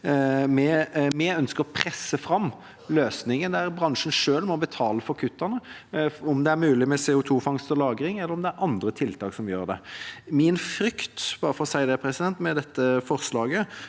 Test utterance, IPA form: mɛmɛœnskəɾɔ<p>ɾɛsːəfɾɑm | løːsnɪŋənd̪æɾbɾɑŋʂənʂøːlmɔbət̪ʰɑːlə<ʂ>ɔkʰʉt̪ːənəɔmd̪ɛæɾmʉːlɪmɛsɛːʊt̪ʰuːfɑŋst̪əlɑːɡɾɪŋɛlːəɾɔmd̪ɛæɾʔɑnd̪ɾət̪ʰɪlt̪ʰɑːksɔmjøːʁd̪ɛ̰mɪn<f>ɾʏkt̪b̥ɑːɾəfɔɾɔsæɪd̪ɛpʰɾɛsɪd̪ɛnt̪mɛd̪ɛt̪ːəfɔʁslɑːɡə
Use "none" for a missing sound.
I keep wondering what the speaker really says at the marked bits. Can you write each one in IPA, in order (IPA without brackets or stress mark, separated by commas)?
pʰ, f, f